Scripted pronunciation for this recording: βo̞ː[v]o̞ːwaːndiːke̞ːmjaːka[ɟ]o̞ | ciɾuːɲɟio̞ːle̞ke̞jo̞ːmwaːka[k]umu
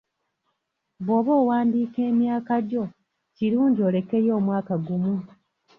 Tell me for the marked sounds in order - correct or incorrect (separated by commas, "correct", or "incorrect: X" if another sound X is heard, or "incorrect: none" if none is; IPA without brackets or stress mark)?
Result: incorrect: β, correct, incorrect: ɡ